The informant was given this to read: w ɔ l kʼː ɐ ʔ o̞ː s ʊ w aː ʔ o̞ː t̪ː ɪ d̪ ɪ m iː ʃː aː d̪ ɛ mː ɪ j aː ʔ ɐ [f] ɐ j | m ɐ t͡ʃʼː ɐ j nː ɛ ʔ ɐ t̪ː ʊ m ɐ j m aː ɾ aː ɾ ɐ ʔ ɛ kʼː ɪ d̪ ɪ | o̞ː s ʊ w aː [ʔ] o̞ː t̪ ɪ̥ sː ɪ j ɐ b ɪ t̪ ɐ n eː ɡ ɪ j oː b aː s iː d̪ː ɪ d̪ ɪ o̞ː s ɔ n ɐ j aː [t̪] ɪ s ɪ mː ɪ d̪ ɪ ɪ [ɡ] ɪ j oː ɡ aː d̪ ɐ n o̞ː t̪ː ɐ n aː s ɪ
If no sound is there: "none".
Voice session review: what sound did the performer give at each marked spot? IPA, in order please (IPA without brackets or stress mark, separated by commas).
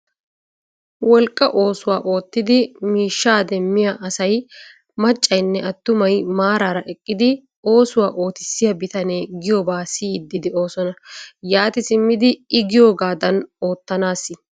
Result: s, ʔ, t̪, ɡ